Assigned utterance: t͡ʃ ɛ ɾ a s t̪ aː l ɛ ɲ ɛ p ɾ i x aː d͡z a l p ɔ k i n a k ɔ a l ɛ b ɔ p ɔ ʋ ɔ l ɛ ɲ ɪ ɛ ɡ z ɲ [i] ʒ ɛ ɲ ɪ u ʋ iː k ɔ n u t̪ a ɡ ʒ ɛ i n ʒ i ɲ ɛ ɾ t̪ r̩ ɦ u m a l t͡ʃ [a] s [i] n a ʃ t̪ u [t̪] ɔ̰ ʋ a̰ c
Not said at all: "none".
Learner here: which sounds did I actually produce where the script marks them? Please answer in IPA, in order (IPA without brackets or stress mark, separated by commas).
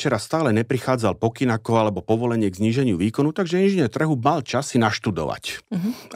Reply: iː, a, i, d̪